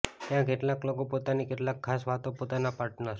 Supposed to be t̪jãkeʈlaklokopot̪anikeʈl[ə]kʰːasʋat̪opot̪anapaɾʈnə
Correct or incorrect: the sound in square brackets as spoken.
incorrect: a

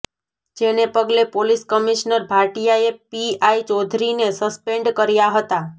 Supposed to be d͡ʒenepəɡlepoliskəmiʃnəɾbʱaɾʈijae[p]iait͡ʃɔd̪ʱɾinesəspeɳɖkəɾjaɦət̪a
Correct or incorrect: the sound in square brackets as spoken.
correct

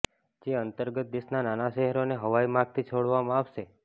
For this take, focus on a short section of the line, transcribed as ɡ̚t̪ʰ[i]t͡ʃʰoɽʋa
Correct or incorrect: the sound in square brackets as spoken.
correct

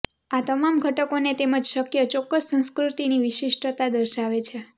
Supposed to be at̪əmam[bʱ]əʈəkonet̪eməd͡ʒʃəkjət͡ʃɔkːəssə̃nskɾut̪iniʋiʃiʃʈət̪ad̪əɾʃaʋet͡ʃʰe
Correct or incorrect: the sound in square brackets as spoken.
incorrect: ɡʱ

